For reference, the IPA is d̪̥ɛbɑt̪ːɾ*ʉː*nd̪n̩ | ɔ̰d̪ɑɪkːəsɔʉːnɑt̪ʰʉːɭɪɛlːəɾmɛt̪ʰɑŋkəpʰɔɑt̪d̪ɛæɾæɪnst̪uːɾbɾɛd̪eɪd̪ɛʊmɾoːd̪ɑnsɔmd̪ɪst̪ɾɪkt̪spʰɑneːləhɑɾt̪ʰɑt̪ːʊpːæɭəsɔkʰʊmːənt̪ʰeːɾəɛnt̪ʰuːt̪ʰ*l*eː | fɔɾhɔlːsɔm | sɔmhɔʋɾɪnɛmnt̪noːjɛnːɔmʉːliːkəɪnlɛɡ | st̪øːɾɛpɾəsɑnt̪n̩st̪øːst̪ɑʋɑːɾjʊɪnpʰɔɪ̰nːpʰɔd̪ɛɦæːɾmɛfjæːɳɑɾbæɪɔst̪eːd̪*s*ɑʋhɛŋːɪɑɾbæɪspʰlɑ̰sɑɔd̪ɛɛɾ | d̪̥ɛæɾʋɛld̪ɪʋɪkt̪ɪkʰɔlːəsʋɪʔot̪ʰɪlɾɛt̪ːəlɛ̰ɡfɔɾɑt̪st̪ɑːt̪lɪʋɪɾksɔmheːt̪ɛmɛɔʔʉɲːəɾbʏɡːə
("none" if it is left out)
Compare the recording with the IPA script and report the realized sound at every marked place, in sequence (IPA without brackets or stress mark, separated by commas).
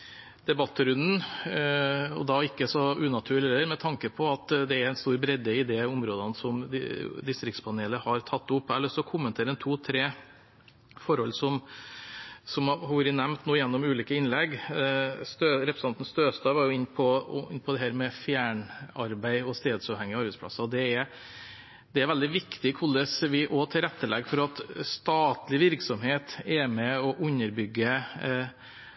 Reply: ʉ, ɾ, s